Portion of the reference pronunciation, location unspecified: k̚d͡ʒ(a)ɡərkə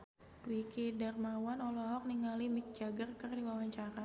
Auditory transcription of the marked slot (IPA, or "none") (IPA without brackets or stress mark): a